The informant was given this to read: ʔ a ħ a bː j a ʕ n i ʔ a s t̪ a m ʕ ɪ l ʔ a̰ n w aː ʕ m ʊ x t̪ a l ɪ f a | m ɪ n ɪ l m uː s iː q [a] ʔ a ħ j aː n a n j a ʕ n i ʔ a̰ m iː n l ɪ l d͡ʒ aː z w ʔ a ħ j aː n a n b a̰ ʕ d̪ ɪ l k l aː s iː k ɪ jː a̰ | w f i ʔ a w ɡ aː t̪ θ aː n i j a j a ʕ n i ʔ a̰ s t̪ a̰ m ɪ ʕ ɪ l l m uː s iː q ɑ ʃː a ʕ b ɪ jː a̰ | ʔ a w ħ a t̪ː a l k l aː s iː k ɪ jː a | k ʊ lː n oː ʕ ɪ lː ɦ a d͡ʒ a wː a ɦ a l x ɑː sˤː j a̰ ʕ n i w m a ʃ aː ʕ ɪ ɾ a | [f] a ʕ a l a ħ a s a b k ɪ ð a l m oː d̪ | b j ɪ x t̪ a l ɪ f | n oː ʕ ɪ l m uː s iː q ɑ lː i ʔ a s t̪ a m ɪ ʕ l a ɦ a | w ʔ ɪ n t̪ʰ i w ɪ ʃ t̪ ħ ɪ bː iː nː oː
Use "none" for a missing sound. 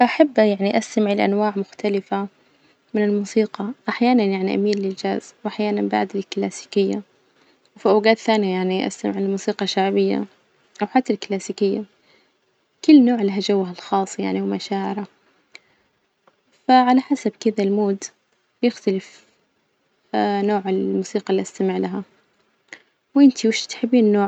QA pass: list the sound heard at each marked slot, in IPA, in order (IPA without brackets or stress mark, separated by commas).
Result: ɑ, f